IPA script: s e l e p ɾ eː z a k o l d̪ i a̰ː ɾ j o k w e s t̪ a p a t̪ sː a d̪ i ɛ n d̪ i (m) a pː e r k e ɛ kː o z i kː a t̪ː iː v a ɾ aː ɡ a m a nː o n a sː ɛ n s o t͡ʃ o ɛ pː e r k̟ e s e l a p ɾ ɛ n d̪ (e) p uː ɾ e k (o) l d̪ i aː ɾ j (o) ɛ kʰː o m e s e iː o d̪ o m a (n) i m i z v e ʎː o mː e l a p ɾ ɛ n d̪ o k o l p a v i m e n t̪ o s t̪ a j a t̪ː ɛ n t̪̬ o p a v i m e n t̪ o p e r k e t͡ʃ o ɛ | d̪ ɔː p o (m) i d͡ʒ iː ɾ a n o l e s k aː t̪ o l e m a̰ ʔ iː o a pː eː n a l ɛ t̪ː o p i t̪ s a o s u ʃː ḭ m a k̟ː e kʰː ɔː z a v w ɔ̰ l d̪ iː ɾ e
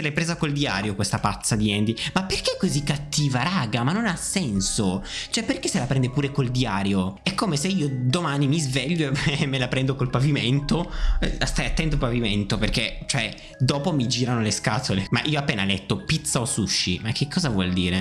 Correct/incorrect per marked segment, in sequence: correct, correct, correct, correct, correct, correct

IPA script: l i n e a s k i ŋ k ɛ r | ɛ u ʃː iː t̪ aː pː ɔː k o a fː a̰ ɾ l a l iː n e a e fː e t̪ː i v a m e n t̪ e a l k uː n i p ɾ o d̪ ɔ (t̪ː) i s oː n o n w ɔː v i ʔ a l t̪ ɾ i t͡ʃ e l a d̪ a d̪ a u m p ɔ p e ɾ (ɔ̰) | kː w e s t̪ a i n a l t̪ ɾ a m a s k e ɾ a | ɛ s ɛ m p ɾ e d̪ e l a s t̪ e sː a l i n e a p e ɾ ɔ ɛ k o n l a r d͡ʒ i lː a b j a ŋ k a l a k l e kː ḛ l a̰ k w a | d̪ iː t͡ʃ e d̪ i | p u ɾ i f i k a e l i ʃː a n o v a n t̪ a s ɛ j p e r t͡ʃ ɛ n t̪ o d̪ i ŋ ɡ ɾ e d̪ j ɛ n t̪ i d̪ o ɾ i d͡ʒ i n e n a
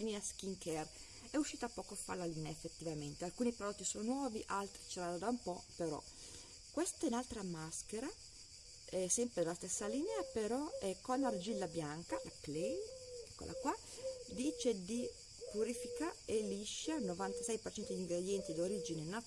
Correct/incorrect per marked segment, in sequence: correct, correct

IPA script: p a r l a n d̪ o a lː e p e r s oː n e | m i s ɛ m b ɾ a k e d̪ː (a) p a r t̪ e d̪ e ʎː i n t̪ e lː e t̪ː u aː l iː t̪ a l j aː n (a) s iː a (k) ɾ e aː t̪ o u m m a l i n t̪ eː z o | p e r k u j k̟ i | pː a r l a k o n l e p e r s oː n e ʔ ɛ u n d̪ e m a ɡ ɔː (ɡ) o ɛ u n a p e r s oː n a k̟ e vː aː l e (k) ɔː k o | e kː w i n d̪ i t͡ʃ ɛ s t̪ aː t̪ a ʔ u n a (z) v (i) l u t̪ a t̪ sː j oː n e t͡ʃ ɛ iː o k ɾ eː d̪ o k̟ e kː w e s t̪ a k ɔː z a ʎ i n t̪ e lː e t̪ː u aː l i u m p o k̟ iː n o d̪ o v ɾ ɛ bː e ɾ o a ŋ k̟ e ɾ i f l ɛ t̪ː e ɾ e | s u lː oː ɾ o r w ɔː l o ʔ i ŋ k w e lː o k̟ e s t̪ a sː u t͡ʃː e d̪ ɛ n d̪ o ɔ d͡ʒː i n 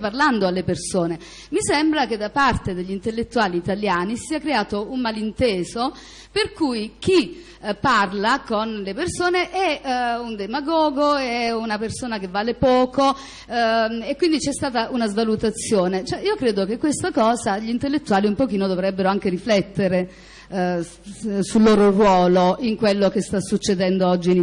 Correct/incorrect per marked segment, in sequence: correct, incorrect: i, correct, correct, incorrect: p, correct, incorrect: a

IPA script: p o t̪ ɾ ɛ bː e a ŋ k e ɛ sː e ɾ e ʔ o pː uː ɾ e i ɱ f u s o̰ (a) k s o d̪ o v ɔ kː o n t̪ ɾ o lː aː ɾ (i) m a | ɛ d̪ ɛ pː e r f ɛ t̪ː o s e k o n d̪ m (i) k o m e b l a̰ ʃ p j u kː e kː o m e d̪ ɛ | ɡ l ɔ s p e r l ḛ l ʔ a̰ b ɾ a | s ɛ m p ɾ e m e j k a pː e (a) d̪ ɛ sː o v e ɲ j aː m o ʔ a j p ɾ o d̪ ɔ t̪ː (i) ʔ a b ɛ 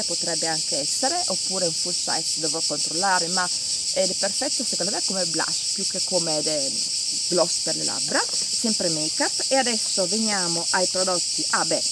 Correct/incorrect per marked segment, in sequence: incorrect: ɛ, incorrect: e, incorrect: ɛ, correct, correct

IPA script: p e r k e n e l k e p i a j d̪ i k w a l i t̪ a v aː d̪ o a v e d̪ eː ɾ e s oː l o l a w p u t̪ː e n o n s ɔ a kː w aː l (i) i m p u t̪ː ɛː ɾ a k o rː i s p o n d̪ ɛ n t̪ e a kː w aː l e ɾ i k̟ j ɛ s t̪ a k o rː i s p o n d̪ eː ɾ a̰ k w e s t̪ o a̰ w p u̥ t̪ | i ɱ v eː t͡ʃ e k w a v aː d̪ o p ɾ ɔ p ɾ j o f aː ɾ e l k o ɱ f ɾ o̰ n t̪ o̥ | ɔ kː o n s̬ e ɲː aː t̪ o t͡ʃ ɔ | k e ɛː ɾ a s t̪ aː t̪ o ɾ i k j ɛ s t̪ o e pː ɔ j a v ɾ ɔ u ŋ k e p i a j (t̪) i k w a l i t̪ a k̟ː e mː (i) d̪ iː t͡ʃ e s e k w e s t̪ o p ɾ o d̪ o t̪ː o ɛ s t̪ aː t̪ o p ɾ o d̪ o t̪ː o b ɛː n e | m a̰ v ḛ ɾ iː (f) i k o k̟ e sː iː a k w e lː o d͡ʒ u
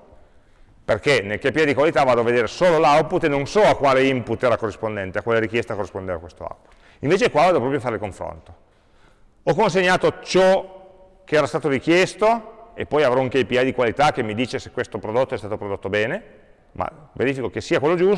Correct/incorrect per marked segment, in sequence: incorrect: e, incorrect: d̪, correct, correct

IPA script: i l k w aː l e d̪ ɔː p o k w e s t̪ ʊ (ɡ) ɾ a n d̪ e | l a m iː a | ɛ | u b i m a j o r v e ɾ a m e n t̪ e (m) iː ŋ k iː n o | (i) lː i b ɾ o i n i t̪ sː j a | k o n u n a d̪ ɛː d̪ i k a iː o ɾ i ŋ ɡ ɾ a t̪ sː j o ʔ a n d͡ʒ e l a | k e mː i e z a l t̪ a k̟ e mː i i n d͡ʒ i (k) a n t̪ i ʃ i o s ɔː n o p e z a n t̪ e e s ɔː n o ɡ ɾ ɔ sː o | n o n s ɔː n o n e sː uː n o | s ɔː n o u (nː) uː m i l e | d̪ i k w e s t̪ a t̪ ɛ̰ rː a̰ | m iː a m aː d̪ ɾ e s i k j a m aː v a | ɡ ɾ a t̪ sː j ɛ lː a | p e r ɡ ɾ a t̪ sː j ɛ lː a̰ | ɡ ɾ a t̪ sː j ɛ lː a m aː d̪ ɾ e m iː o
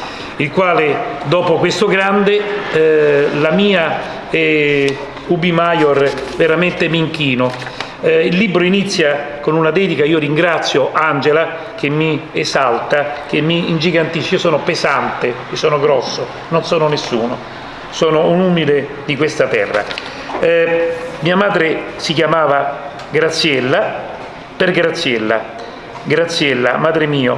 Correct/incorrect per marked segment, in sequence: correct, correct, correct, incorrect: ɡ, incorrect: n

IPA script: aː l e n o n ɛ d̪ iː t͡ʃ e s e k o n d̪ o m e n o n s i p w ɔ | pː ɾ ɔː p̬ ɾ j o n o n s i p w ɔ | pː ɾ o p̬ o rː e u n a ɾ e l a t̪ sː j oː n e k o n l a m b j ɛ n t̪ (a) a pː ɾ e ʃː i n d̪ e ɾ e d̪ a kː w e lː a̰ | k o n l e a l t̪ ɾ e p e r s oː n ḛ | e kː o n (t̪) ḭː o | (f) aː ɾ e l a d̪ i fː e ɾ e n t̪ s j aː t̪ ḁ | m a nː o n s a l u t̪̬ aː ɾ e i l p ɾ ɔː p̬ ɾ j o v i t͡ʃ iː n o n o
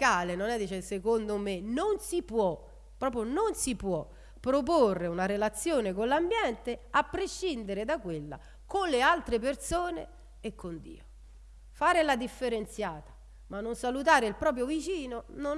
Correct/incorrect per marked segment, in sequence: incorrect: e, incorrect: d̪, correct

